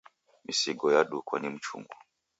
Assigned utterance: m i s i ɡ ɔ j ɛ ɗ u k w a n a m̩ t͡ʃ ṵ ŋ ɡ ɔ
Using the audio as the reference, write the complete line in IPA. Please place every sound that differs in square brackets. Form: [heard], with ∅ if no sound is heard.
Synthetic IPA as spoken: m i s i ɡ ɔ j [a] ɗ u k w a n [i] m̩ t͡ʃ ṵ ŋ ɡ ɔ